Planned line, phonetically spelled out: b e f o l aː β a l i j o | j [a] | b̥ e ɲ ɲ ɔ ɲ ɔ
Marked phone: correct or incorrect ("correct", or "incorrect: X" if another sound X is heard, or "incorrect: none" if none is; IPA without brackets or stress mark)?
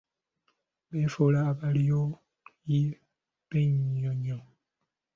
incorrect: i